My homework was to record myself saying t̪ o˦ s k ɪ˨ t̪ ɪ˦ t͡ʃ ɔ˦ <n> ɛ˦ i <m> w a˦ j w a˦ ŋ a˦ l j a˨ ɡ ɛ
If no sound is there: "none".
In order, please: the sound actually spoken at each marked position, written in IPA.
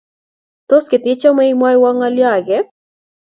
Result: m, m

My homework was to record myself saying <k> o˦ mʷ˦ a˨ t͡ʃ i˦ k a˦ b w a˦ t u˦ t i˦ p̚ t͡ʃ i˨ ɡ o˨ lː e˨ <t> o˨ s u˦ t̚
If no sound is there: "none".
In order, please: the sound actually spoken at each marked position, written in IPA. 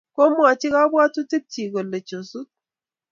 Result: k, t͡ʃ

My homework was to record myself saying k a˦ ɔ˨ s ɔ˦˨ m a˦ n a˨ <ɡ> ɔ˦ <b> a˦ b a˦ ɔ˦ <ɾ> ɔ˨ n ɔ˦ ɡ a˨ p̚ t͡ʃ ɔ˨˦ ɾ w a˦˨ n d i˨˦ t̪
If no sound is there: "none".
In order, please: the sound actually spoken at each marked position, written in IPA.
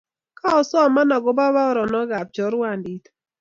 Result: ɡ, b, ɾ

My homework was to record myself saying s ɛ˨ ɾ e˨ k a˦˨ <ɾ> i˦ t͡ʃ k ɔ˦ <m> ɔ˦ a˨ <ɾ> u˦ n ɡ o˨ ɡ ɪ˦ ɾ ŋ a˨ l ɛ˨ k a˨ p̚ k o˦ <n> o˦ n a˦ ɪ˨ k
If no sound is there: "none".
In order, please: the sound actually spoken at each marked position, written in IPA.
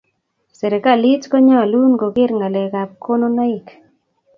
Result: l, ɲ, l, n

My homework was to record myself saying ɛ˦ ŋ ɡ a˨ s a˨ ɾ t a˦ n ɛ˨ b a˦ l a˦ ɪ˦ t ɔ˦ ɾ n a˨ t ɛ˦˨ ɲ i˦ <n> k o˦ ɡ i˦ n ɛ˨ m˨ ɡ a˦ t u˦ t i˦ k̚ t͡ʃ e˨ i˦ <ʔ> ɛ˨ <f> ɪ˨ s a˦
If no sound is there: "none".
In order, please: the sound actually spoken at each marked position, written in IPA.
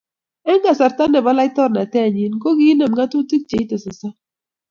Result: n, t, s

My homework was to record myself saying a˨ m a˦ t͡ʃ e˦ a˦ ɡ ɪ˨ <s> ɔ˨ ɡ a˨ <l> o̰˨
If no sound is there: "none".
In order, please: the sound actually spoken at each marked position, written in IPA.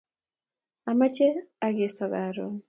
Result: s, ɾ

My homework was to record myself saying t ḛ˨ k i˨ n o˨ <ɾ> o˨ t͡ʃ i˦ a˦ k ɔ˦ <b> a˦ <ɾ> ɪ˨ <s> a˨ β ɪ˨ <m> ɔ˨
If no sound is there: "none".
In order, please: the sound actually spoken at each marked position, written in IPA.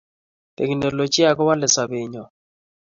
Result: l, w, l, s, ɲ

